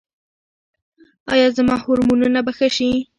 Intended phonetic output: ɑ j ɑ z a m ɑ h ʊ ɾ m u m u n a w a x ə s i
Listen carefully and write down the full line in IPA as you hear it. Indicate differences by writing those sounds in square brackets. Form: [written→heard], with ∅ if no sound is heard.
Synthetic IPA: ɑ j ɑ z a m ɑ h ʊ ɾ m u [m→n] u n a [w→b] a x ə [s→ʃ] i